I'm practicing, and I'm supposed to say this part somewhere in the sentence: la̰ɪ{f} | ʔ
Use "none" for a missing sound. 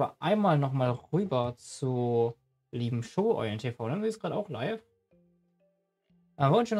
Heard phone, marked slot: f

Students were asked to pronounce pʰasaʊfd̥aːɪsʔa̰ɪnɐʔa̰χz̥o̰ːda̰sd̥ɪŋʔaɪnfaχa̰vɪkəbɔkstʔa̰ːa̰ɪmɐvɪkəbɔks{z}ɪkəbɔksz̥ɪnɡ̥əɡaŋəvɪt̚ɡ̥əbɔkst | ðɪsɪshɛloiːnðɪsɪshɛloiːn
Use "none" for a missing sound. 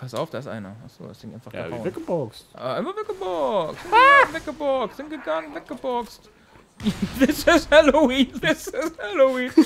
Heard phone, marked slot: v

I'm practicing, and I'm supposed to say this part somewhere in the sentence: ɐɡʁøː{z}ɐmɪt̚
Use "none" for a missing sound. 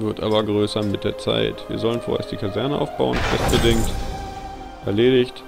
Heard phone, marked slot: s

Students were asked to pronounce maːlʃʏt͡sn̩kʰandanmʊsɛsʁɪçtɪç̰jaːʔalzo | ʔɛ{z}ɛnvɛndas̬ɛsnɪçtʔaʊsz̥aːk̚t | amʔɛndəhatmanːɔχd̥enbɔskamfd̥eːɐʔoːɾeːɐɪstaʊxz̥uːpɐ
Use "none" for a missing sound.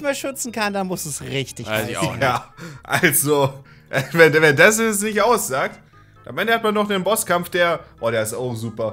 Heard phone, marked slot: v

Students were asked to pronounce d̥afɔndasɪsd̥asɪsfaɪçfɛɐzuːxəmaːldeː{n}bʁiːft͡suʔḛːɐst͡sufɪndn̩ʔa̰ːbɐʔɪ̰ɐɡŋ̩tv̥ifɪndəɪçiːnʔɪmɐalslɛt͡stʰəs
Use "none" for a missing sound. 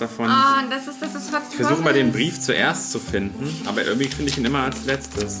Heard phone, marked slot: n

